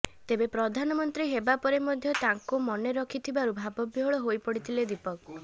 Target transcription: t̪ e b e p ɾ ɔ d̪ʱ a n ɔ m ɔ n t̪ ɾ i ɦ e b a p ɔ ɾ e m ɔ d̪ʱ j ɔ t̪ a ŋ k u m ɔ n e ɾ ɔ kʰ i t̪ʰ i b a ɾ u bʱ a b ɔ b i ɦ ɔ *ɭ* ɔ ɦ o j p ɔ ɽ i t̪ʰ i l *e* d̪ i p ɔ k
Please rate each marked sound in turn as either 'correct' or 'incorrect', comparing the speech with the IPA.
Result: correct, correct

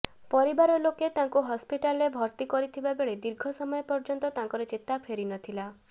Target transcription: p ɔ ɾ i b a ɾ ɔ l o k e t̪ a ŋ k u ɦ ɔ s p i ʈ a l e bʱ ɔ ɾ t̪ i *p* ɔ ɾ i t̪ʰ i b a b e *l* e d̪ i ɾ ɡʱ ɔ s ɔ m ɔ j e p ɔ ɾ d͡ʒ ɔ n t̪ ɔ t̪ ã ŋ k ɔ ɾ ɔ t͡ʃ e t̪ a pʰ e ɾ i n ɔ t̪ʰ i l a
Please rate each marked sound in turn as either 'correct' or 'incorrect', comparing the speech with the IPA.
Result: incorrect: k, incorrect: ɭ

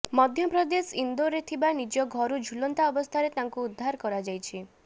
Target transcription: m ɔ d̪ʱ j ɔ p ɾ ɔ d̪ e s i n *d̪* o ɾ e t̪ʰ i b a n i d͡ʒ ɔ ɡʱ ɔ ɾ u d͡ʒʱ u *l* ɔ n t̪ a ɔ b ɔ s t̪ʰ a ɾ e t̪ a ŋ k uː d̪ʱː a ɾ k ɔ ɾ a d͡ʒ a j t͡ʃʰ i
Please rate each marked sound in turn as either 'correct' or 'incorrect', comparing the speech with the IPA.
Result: correct, correct

